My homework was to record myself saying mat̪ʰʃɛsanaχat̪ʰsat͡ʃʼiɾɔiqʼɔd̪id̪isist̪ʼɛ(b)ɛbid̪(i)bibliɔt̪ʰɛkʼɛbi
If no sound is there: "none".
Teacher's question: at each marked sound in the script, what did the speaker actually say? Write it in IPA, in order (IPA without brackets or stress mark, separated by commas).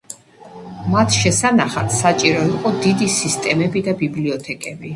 m, a